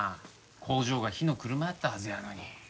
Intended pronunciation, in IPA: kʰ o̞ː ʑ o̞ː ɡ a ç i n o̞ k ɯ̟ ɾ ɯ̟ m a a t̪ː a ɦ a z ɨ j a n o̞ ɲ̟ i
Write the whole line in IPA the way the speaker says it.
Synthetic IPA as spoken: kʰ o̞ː ʑ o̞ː ɡ a ç i n o̞ k ɯ̟ ɾ ɯ̟ m a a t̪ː a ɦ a z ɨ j a n o̞ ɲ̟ i